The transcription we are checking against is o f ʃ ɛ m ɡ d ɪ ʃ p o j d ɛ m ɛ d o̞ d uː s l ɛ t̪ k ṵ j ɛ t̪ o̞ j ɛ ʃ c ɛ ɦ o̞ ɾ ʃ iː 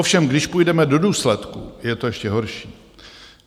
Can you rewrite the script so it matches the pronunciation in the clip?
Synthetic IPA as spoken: o f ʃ ɛ m ɡ d ɪ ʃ p u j d ɛ m ɛ d o̞ d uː s l ɛ t̪ k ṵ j ɛ t̪ o̞ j ɛ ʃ c ɛ ɦ o̞ ɾ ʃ iː